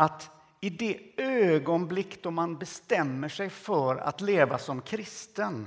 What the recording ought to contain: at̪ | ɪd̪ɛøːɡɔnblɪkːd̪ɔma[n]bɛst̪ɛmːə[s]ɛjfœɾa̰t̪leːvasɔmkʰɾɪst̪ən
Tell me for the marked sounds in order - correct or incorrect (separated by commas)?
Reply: correct, incorrect